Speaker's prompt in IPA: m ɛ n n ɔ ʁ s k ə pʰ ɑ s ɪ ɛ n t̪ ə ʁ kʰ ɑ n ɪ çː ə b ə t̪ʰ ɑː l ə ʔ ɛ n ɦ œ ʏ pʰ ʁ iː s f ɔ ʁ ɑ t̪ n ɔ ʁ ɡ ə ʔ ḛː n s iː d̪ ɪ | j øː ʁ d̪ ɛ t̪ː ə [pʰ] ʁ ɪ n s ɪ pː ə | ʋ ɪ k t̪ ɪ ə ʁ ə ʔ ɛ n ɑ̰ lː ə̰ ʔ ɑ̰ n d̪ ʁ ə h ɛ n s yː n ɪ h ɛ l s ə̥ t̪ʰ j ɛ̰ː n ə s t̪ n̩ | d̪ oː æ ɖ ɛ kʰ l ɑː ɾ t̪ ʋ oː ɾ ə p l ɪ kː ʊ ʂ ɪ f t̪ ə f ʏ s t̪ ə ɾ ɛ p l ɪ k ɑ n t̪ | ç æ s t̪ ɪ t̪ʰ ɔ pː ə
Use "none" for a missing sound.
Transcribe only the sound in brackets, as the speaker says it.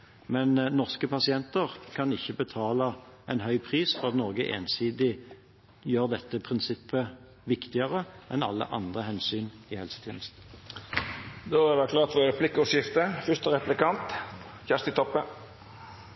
pʰ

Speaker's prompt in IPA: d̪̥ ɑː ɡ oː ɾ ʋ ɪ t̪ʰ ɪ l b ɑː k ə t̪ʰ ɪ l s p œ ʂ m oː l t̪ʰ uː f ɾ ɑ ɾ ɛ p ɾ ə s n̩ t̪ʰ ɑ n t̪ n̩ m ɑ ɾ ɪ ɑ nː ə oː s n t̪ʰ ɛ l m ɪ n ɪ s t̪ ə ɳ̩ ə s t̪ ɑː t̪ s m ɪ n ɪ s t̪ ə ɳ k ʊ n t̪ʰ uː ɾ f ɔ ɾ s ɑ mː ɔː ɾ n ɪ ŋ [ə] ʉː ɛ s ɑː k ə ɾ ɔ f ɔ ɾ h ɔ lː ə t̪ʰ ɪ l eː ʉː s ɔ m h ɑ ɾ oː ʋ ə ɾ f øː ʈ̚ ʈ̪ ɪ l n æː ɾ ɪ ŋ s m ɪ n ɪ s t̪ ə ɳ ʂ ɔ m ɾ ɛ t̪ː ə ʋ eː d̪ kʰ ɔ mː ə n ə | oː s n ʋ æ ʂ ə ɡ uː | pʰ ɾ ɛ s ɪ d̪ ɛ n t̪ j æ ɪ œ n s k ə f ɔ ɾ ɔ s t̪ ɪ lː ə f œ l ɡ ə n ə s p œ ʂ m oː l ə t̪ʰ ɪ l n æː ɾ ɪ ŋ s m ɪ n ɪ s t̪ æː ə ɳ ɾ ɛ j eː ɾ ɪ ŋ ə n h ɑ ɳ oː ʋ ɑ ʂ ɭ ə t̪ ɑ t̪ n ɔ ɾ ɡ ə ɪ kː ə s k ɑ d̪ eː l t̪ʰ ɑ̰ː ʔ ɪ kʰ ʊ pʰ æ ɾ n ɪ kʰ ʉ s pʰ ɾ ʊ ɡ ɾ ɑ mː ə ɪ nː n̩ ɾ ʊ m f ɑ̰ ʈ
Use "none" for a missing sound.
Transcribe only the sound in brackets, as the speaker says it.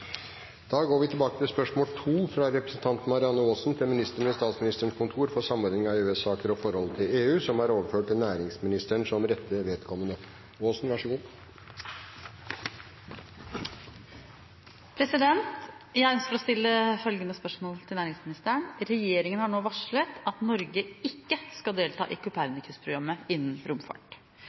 ɑ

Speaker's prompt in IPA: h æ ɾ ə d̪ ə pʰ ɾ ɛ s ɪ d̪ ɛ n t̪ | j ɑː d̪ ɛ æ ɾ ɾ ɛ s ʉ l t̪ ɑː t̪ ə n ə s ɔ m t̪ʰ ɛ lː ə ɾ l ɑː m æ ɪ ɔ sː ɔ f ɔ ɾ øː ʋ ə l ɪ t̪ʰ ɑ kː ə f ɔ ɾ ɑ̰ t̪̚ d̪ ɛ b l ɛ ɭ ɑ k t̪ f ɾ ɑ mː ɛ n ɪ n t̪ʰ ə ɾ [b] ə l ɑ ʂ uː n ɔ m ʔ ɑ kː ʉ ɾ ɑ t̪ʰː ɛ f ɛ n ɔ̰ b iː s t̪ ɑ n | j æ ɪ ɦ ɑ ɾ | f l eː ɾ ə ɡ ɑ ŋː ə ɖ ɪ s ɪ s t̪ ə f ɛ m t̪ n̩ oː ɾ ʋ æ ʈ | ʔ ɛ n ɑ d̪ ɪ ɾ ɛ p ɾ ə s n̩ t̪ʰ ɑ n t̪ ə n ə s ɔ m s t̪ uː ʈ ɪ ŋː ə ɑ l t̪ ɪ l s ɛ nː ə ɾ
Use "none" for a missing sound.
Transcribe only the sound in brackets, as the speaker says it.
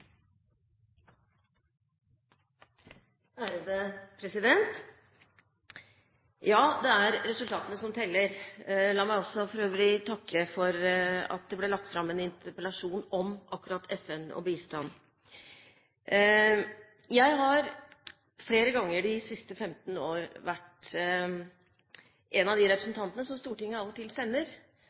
p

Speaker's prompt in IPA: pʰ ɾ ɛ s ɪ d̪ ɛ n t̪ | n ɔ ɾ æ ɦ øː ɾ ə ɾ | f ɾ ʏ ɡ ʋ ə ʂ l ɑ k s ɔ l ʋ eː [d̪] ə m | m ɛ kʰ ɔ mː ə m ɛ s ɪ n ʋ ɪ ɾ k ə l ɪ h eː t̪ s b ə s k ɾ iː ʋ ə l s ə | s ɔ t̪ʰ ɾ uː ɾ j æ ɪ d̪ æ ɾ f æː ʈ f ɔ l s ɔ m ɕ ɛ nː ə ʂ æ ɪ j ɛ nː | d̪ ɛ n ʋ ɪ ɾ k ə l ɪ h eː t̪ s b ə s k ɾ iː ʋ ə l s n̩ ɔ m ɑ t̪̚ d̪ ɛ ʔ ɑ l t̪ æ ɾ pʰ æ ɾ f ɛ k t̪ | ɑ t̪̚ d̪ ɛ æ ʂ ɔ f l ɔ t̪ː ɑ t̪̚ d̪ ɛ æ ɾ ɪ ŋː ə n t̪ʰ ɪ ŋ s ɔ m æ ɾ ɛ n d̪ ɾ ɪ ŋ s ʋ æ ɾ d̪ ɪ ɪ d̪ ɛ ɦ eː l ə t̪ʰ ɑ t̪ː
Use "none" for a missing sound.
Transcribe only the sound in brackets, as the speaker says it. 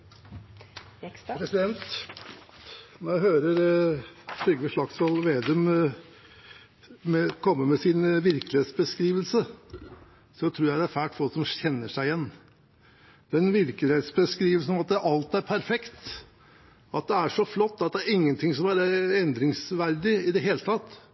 d̪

